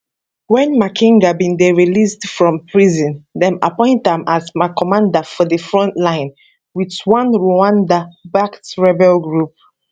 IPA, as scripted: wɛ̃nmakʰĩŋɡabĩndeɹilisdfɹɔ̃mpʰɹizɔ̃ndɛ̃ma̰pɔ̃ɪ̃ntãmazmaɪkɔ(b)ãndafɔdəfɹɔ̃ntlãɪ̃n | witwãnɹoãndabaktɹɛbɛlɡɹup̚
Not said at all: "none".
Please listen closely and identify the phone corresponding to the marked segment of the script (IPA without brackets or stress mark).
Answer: m